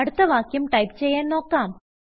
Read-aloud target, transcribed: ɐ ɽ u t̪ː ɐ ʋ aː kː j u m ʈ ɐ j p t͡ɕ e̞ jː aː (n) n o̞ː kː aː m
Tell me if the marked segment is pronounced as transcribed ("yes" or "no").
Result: yes